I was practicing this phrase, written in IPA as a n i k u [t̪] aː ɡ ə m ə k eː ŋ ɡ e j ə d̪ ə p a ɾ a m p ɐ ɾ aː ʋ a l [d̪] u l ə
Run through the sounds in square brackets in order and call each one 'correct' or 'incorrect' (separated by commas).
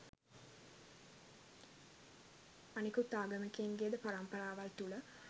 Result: correct, incorrect